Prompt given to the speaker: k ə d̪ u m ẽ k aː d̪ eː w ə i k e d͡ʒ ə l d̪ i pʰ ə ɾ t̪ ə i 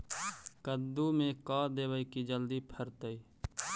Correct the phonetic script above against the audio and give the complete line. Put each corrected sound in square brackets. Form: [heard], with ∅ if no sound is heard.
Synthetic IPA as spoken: k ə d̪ u m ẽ k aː d̪ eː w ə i k [i] d͡ʒ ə l d̪ i pʰ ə ɾ t̪ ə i